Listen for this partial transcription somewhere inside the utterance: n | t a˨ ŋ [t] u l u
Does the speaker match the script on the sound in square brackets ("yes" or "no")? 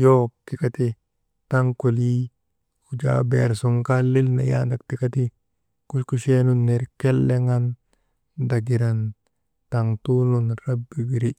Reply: yes